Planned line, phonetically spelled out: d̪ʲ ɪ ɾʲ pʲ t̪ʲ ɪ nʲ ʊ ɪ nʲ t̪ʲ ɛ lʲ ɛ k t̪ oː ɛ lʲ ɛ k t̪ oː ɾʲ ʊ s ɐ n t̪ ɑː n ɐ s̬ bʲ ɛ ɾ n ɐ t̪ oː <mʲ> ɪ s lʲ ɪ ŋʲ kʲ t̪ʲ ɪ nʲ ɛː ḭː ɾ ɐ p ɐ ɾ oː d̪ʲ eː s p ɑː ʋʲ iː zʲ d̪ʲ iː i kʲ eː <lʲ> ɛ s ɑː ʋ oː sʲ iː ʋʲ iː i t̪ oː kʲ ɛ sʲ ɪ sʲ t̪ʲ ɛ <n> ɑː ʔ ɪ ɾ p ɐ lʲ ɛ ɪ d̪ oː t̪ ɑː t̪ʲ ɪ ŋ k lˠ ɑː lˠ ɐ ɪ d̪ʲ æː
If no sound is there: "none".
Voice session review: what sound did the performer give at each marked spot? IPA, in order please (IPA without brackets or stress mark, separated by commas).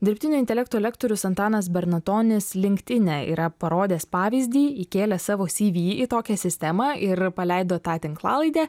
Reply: nʲ, lʲ, m